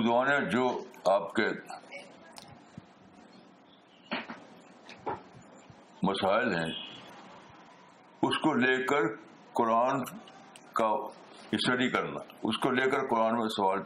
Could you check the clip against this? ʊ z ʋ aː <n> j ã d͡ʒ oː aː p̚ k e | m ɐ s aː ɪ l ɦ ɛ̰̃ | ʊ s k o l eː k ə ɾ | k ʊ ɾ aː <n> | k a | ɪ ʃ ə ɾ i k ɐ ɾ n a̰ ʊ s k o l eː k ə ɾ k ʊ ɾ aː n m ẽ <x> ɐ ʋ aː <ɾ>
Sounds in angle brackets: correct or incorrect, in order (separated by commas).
correct, correct, incorrect, incorrect